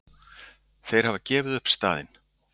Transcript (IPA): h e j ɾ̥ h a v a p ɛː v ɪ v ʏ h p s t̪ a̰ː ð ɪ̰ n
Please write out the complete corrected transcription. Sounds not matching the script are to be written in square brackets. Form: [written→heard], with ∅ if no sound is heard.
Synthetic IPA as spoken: [h→θ] e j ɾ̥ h a v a [p→c] ɛː v ɪ [v→ð] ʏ h p s t̪ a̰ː ð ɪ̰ n